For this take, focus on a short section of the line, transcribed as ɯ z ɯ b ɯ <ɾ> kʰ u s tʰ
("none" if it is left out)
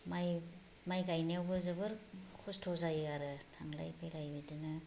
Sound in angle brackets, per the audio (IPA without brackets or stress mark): ɾ